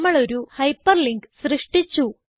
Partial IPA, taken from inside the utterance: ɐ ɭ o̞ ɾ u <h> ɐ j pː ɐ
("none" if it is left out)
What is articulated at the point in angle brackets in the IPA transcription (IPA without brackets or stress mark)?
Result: h